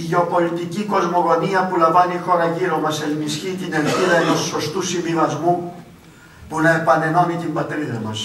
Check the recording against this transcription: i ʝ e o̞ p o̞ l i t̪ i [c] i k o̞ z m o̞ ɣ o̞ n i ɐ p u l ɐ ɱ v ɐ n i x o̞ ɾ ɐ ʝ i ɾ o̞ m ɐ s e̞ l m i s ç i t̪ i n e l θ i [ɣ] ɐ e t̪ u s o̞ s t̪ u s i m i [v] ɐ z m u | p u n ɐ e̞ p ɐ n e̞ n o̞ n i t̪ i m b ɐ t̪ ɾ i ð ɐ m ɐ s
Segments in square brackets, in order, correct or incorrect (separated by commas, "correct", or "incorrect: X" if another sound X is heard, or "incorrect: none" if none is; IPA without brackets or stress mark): correct, incorrect: ð, correct